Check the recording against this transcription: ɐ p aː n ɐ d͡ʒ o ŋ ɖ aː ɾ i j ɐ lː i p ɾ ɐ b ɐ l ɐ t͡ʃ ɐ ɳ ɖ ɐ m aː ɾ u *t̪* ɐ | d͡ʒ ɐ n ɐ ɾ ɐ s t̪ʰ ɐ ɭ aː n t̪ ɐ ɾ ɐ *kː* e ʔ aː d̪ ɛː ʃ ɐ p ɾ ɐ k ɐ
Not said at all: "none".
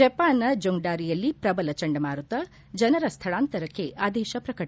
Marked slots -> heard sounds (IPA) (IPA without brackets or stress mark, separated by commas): t̪, kː